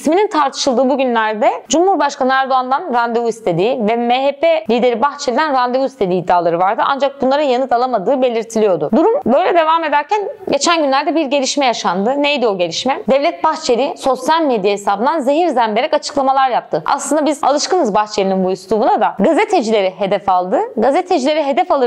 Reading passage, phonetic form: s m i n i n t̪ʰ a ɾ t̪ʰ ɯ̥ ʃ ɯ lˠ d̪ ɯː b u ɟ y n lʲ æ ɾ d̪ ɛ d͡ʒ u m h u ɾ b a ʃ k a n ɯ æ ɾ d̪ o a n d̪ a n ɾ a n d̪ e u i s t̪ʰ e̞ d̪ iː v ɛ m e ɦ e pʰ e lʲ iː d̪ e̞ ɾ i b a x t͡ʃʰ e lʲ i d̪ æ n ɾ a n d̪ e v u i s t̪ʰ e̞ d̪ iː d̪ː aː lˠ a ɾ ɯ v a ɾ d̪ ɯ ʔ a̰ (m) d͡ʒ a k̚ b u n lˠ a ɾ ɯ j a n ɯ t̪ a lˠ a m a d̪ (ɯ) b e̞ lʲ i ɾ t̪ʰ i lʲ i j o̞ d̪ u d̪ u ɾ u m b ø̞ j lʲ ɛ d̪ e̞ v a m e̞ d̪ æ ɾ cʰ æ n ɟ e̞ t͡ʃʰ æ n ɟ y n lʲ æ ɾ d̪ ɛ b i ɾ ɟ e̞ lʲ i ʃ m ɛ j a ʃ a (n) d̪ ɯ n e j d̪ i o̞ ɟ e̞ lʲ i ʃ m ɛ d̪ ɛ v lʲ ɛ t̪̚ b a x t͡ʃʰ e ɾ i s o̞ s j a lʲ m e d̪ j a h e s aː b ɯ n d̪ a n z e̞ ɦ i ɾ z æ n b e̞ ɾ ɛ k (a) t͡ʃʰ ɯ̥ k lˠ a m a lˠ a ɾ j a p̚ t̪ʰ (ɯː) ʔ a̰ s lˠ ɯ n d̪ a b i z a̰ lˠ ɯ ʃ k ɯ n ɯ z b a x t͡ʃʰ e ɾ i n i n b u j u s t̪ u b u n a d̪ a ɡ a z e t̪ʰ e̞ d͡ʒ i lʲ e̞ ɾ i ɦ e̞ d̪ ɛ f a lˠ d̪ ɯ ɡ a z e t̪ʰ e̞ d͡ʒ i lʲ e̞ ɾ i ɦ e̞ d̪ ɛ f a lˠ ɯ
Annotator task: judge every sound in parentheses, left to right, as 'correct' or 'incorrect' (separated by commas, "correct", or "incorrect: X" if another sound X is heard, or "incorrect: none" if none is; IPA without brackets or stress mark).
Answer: incorrect: n, incorrect: ɯː, correct, correct, incorrect: ɯ